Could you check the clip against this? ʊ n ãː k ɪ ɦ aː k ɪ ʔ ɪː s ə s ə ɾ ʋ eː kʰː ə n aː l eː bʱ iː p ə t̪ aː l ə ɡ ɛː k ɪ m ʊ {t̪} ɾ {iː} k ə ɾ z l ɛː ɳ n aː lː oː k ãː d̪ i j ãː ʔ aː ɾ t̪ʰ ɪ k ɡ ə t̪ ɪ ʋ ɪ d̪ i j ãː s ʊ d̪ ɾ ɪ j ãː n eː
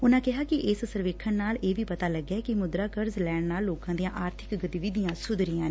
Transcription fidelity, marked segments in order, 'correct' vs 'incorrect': incorrect: d̪, incorrect: aː

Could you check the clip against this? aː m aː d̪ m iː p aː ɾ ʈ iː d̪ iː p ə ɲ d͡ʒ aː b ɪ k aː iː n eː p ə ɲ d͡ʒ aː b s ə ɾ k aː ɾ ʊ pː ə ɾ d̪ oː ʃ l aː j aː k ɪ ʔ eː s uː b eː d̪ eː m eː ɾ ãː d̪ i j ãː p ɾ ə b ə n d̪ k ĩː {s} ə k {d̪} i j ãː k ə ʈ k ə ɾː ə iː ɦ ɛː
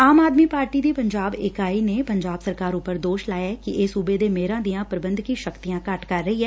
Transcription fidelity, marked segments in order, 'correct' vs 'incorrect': incorrect: ʃ, incorrect: t̪

